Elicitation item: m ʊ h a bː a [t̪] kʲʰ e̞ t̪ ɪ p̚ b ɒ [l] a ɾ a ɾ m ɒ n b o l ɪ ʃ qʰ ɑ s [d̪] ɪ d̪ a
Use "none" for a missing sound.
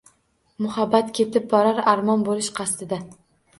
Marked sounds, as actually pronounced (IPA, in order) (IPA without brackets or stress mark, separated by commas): t̪, ɾ, t̪